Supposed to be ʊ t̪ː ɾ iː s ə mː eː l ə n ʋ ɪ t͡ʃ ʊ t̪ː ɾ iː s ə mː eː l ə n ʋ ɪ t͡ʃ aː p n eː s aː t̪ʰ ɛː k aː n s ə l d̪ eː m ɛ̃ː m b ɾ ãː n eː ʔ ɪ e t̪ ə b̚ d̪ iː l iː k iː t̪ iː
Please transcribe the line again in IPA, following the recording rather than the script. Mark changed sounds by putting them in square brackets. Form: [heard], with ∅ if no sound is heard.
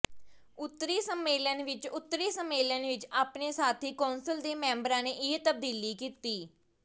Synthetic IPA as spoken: ʊ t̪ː ɾ iː s ə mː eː l ə n ʋ ɪ t͡ʃ ʊ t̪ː ɾ iː s ə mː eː l ə n ʋ ɪ t͡ʃ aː p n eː s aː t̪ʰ [iː] k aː n s ə l d̪ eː m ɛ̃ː m b ɾ ãː n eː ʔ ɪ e t̪ ə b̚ d̪ iː l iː k iː t̪ iː